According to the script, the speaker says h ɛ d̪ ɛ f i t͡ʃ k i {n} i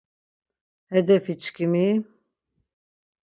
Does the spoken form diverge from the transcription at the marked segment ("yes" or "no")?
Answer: yes